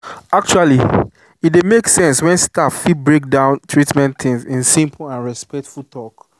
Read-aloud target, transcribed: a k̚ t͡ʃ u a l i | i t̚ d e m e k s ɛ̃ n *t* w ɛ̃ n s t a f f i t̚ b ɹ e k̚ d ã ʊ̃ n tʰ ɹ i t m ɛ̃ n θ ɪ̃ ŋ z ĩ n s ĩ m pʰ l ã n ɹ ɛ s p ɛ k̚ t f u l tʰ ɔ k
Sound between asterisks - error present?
yes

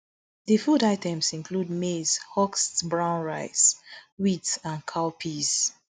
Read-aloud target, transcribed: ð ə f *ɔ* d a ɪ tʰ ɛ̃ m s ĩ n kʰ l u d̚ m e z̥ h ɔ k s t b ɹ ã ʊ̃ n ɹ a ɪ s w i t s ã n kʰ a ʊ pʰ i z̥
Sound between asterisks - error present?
yes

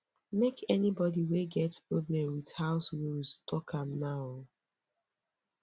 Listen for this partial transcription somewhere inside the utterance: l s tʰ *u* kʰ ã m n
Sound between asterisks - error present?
yes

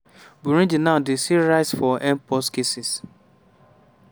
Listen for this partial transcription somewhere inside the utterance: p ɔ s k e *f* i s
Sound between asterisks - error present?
yes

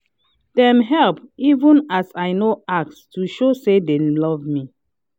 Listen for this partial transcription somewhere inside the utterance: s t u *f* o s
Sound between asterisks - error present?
yes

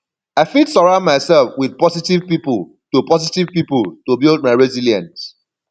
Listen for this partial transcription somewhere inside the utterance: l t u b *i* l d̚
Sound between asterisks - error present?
no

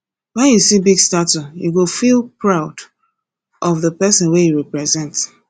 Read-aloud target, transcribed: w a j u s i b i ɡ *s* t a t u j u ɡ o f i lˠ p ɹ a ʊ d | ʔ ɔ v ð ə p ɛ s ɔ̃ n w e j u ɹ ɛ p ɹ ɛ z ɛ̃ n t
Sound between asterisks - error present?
no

